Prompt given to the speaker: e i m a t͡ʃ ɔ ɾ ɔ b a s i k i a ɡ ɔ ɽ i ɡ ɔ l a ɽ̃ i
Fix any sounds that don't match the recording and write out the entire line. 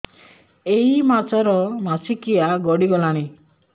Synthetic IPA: e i m a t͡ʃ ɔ ɾ ɔ m a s i k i a ɡ ɔ ɽ i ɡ ɔ l a ɽ̃ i